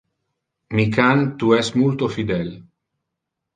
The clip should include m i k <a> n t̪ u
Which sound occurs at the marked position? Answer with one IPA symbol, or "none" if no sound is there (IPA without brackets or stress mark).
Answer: a